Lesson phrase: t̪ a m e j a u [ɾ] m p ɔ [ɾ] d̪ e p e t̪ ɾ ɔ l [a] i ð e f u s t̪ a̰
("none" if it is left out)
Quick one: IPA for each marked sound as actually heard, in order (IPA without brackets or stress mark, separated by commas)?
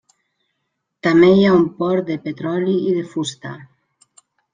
none, ɾ, i